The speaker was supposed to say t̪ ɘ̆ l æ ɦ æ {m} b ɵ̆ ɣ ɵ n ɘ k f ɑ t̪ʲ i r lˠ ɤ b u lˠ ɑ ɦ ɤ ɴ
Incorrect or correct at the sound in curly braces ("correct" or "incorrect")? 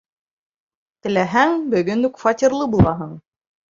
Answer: incorrect